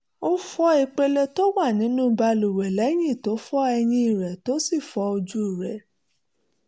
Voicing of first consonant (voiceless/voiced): voiceless